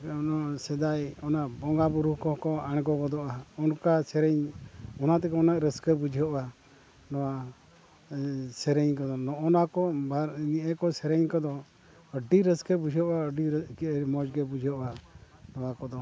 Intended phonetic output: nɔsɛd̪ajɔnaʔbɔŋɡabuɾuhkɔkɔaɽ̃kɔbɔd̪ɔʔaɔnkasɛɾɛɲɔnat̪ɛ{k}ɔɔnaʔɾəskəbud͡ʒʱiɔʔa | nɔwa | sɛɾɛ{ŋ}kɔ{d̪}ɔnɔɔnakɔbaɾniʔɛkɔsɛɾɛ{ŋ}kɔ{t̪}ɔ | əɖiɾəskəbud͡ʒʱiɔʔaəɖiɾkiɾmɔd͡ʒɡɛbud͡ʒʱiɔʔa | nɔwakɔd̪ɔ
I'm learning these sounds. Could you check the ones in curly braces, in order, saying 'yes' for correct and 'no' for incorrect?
yes, no, yes, no, no

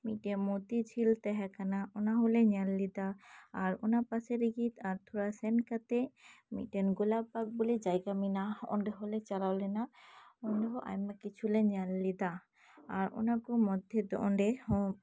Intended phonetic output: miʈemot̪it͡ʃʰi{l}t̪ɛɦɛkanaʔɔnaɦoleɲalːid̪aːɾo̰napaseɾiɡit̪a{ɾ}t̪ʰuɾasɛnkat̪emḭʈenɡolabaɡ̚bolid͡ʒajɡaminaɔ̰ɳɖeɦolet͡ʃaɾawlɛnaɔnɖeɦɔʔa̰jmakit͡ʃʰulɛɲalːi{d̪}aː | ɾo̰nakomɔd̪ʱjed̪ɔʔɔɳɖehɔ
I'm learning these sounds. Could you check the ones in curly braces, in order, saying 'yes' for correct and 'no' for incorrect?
yes, yes, yes

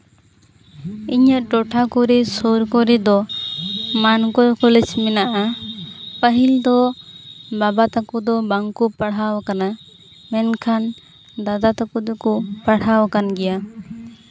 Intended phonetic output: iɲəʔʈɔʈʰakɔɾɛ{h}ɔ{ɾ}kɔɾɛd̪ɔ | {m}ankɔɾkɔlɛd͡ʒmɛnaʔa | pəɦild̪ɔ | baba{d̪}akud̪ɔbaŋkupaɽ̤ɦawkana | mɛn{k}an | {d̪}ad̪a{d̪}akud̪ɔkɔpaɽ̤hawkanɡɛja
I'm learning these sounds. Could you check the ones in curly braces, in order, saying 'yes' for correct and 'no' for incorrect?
no, yes, yes, no, no, yes, no

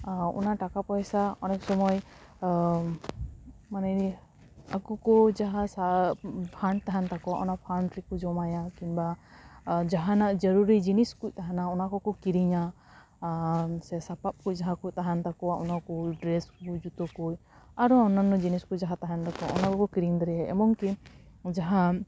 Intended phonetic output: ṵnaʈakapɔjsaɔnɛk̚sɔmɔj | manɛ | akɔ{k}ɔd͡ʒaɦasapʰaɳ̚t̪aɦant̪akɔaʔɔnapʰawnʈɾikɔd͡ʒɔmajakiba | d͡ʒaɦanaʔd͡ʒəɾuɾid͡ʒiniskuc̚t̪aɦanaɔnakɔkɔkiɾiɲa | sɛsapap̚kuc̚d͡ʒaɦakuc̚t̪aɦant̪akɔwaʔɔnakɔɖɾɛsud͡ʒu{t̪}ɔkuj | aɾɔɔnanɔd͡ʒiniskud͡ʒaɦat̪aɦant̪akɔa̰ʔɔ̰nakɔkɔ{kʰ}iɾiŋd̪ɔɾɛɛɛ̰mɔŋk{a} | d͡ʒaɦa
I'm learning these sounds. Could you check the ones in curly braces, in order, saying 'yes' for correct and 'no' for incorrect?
yes, yes, no, no

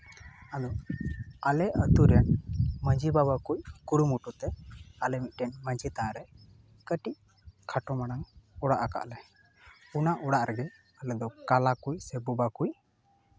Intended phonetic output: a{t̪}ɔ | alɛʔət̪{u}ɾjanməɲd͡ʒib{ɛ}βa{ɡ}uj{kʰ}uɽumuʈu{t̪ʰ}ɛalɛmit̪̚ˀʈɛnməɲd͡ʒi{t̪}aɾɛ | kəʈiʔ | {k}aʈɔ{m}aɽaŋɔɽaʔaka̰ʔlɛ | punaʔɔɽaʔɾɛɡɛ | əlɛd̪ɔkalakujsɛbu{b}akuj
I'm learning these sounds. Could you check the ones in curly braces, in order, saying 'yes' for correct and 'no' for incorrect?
no, yes, no, no, no, no, yes, no, yes, yes

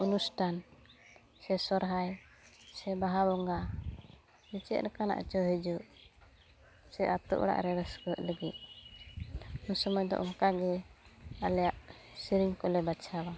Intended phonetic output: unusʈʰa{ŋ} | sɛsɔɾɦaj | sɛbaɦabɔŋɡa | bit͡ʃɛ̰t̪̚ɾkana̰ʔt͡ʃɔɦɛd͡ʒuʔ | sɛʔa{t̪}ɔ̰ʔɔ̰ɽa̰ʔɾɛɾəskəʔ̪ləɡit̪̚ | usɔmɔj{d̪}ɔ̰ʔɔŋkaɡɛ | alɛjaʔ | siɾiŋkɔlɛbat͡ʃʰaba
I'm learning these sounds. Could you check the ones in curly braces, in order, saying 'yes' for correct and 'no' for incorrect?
no, yes, yes

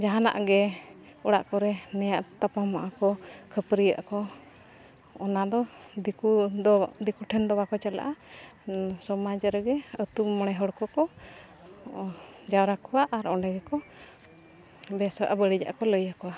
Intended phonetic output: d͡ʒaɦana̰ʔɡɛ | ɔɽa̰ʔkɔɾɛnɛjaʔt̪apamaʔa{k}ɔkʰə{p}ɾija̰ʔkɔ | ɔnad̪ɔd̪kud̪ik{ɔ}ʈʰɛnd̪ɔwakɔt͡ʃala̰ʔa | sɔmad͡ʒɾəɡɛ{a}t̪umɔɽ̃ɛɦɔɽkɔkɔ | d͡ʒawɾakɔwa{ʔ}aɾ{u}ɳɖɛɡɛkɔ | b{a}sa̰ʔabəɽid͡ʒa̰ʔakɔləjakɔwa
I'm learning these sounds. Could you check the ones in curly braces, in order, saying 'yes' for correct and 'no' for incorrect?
yes, yes, no, no, yes, no, no

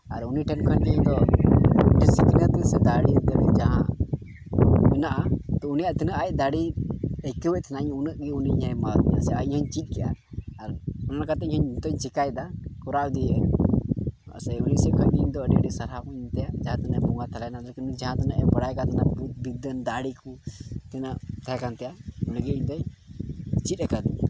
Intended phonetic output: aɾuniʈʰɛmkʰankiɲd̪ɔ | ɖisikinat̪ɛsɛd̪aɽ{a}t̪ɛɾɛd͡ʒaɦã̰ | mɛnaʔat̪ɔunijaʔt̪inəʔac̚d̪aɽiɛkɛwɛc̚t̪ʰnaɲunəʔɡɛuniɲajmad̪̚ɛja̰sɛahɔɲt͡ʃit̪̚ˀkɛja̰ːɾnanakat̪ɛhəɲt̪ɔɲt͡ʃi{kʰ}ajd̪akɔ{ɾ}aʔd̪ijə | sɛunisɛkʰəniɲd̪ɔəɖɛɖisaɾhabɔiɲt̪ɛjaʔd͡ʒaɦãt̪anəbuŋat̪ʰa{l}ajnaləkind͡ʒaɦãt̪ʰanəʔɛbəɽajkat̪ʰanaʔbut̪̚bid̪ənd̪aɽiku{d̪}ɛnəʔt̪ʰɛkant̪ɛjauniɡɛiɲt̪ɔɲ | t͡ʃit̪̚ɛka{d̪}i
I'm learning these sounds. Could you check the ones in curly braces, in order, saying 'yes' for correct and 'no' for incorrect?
no, no, yes, yes, no, yes

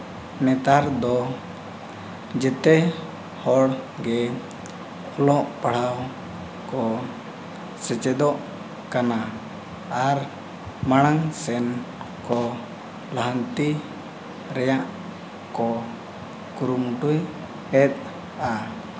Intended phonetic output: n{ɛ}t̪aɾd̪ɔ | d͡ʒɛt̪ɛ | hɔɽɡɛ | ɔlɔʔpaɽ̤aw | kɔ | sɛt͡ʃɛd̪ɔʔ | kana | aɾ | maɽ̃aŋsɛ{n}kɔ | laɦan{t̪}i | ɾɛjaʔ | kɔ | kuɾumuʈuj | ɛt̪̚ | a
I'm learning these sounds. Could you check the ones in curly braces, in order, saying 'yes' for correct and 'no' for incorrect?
yes, yes, yes

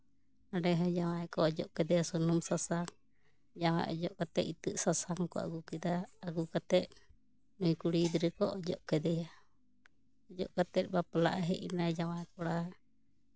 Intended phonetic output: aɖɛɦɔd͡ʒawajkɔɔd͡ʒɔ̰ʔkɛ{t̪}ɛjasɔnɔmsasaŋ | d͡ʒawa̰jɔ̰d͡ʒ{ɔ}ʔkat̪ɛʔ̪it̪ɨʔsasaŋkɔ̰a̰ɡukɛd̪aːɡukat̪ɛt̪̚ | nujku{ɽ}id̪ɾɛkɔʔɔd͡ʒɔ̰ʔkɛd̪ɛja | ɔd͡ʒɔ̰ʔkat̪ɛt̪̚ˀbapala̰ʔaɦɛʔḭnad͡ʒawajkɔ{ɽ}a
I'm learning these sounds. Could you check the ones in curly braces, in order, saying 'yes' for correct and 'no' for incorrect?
no, yes, yes, yes

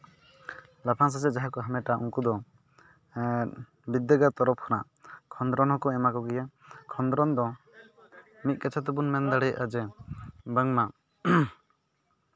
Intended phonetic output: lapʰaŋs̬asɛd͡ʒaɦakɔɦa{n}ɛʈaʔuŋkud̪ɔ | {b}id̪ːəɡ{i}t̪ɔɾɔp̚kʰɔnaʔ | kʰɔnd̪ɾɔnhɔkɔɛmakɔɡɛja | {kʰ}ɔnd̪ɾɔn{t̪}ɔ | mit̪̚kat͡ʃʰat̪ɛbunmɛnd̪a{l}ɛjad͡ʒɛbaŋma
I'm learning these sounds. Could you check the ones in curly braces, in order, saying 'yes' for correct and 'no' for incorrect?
no, yes, no, yes, no, no

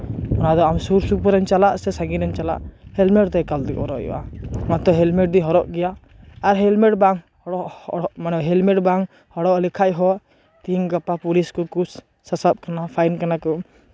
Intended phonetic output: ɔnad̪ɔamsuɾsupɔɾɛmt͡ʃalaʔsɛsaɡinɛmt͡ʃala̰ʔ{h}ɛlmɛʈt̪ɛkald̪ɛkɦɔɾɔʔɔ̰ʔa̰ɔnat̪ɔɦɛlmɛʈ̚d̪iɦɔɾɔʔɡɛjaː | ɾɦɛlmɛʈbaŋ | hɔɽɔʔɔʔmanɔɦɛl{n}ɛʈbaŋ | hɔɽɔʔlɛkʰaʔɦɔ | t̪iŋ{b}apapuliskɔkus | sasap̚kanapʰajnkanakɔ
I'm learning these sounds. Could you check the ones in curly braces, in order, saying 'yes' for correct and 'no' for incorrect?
yes, no, no

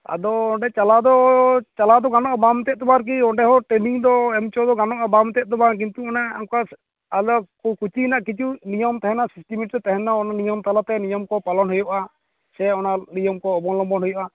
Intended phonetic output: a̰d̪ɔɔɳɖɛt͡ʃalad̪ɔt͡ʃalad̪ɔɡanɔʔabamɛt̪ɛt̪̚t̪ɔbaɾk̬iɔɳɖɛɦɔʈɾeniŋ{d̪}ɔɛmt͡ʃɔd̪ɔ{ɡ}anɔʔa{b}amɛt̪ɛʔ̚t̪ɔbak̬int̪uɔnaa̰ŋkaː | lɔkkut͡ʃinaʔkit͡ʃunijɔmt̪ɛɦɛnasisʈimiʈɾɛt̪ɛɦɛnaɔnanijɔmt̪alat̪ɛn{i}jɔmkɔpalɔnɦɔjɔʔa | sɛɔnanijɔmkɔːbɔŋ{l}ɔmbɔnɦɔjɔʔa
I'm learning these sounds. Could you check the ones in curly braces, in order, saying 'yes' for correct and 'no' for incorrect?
yes, yes, yes, yes, yes

